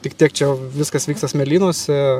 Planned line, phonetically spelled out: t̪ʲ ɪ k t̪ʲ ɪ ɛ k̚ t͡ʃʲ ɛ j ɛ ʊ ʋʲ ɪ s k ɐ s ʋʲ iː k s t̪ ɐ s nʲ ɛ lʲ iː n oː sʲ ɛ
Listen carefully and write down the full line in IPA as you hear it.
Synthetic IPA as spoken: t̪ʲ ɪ k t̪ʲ i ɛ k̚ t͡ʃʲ ɛ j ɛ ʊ ʋʲ ɪ s k ɐ s ʋʲ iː k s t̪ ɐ s mʲ ɛ lʲ iː n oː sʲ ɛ